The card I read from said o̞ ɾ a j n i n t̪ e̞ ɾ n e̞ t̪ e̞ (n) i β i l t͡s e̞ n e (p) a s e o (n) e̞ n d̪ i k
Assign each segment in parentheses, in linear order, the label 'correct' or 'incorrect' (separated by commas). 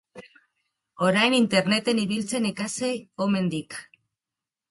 correct, incorrect, incorrect